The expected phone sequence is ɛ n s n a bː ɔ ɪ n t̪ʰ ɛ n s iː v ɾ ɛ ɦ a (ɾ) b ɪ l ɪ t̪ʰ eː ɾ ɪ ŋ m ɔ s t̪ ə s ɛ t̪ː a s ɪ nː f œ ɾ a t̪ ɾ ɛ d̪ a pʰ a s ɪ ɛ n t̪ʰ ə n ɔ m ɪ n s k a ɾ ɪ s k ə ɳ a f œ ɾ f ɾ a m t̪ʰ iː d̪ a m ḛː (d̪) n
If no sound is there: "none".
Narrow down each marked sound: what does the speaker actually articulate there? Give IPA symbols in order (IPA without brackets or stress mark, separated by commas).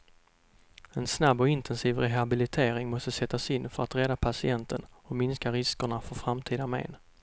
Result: none, none